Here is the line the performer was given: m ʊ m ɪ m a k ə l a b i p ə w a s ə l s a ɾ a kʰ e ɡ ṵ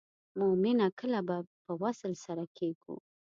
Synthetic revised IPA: m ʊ m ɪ n a k ə l a b a p ə w a s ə l s a ɾ a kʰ e ɡ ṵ